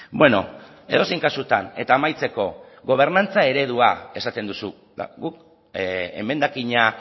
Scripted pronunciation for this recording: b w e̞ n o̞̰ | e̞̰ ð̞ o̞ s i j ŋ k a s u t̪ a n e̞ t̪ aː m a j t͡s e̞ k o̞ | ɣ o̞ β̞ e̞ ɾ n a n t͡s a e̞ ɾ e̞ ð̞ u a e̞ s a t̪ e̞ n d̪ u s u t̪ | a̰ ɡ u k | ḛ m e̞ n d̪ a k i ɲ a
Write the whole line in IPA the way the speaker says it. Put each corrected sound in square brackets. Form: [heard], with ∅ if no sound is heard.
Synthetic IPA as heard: b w e̞ n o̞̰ | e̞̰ ð̞ o̞ s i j ŋ k a s u t̪ a n e̞ t̪ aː m a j t͡s e̞ k o̞ | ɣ o̞ β̞ e̞ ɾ n a n t͡s a e̞ ɾ e̞ ð̞ u a e̞ s a t̪ e̞ n d̪ u s u [∅] | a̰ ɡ u k | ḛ m e̞ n d̪ a k i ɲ a

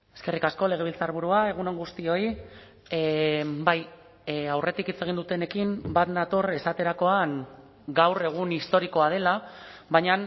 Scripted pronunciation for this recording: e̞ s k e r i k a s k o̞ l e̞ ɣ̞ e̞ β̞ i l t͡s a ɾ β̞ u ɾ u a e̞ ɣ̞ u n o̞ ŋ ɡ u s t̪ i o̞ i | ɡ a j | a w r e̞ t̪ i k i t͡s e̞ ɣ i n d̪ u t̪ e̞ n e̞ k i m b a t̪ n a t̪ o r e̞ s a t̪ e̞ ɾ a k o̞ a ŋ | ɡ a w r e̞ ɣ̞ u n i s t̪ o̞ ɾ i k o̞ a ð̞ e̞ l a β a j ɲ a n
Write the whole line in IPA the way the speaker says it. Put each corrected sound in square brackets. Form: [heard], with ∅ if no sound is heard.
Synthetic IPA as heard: e̞ s k e r i k a s k o̞ l e̞ ɣ̞ e̞ β̞ i l t͡s a ɾ β̞ u ɾ u a e̞ ɣ̞ u n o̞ ŋ ɡ u s t̪ i o̞ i | [b] a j | a w r e̞ t̪ i k i t͡s e̞ ɣ i n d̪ u t̪ e̞ n e̞ k i m b a t̪ n a t̪ o r e̞ s a t̪ e̞ ɾ a k o̞ a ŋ | ɡ a w r e̞ ɣ̞ u n i s t̪ o̞ ɾ i k o̞ a ð̞ e̞ l a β a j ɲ a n

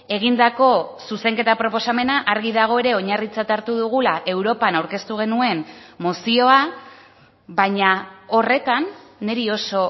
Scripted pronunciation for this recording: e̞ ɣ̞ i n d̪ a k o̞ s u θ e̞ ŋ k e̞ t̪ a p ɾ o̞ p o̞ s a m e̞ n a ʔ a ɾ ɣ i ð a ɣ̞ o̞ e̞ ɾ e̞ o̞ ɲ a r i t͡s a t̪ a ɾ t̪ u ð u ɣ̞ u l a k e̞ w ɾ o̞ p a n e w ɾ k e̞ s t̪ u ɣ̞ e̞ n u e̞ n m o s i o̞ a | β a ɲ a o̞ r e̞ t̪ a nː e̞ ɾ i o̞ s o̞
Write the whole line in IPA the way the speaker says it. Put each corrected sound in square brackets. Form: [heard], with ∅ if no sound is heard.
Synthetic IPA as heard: e̞ ɣ̞ i n d̪ a k o̞ s u [s] e̞ ŋ k e̞ t̪ a p ɾ o̞ p o̞ s a m e̞ n a ʔ a ɾ ɣ i ð a ɣ̞ o̞ e̞ ɾ e̞ o̞ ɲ a r i t͡s a t̪ a ɾ t̪ u ð u ɣ̞ u l a [ʔ] e̞ w ɾ o̞ p a n [a] w ɾ k e̞ s t̪ u ɣ̞ e̞ n u e̞ n m o s i o̞ a | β a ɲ a o̞ r e̞ t̪ a nː e̞ ɾ i o̞ s o̞

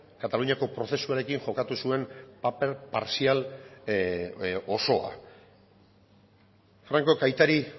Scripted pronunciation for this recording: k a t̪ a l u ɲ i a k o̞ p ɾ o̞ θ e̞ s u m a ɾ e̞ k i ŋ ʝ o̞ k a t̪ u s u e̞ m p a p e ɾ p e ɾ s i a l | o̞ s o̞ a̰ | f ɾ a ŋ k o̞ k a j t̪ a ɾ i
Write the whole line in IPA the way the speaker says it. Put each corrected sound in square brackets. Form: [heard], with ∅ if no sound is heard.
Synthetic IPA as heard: k a t̪ a l u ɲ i a k o̞ p ɾ o̞ θ e̞ s u [∅] a ɾ e̞ k i ŋ ʝ o̞ k a t̪ u s u e̞ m p a p e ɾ p [a] ɾ s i a l | o̞ s o̞ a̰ | f ɾ a ŋ k o̞ k a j t̪ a ɾ i

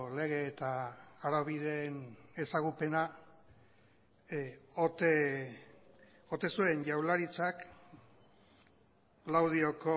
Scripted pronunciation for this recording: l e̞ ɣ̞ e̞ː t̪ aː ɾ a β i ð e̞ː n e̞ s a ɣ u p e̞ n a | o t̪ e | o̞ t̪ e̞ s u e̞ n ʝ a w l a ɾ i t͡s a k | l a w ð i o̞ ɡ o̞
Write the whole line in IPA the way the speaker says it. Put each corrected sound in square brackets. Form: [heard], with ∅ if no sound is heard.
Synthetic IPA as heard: l e̞ ɣ̞ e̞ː t̪ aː ɾ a β i ð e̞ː n e̞ s a ɣ u p e̞ n a | o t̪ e | o̞ t̪ e̞ s u e̞ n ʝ a w l a ɾ i t͡s a k | l a w ð i o̞ [k] o̞

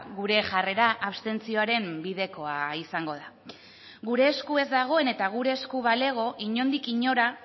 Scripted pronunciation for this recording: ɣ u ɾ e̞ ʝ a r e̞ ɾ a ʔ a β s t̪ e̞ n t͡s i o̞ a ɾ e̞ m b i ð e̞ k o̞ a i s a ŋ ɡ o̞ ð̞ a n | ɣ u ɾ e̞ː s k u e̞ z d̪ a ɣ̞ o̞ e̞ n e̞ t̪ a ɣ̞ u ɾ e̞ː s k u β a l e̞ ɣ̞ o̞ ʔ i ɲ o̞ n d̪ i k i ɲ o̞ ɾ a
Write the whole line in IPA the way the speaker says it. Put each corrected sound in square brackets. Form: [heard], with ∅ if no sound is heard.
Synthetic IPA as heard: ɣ u ɾ e̞ ʝ a r e̞ ɾ a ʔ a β s t̪ e̞ n t͡s i o̞ a ɾ e̞ m b i ð e̞ k o̞ a i s a ŋ ɡ o̞ ð̞ a [∅] | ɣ u ɾ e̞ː s k u e̞ z d̪ a ɣ̞ o̞ e̞ n e̞ t̪ a ɣ̞ u ɾ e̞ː s k u β a l e̞ ɣ̞ o̞ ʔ i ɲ o̞ n d̪ i k i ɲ o̞ ɾ a

